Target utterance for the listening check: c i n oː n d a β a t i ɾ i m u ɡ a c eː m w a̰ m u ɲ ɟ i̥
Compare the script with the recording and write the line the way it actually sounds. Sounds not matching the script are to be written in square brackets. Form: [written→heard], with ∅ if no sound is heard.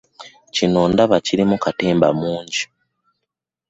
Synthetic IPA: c i n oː n d a β a [t→c] i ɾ i m u [ɡ→k] a [c→t] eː m [w→b] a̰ m [u→uː] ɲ ɟ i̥